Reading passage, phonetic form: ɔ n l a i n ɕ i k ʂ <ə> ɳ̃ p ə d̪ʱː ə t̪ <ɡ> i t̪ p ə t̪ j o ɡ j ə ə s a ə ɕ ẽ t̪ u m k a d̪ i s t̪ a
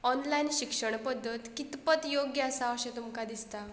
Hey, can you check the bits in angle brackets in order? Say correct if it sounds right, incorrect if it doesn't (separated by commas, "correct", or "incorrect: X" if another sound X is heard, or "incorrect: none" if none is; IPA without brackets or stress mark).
correct, incorrect: k